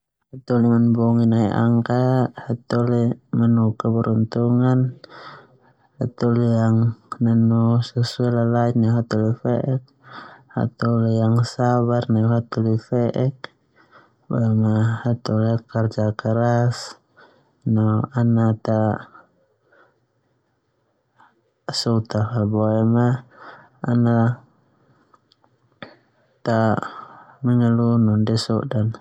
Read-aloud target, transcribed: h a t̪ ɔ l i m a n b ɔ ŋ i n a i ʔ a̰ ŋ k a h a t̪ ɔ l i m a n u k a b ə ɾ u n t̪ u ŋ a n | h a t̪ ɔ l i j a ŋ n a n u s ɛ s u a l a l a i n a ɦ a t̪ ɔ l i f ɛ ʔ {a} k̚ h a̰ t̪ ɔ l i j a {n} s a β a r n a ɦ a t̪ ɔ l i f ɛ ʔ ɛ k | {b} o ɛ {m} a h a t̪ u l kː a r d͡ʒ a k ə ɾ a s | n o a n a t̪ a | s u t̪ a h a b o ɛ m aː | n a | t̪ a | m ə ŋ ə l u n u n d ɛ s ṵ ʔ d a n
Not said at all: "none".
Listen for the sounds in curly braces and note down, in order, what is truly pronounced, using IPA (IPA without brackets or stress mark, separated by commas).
ɛ, ŋ, b, m